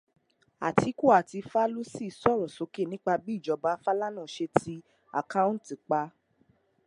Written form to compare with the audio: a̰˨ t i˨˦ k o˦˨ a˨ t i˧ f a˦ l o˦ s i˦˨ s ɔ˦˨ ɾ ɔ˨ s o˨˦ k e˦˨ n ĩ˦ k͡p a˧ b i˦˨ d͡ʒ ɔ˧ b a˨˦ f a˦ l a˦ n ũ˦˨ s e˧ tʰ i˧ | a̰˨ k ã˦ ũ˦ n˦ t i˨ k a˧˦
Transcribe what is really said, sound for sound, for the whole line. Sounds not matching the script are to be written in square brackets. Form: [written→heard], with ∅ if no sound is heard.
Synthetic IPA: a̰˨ t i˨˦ k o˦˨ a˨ t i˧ f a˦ l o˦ s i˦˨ s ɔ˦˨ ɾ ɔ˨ s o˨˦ k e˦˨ n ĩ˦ k͡p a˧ b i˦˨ d͡ʒ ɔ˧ b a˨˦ f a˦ l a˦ n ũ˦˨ [s→ʃ] e˧ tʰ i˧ | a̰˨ k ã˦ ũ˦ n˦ t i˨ [k→k͡p] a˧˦